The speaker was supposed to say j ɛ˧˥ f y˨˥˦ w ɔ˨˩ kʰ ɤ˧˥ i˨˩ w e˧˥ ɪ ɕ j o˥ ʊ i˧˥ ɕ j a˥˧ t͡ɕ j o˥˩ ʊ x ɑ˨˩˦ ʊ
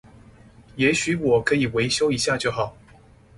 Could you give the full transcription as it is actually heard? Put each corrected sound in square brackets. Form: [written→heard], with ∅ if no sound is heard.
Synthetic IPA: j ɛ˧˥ [f→ɕ] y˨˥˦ w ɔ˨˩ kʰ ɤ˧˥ i˨˩ w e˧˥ ɪ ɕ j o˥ ʊ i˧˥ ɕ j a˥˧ t͡ɕ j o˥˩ ʊ x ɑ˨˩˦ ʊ